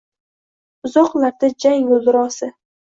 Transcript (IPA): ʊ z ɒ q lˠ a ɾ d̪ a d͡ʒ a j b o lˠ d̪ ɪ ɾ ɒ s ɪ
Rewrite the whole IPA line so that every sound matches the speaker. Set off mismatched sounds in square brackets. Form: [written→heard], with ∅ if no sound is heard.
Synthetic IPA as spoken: ʊ z ɒ q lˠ a ɾ d̪ a d͡ʒ a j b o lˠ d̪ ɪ ɾ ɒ s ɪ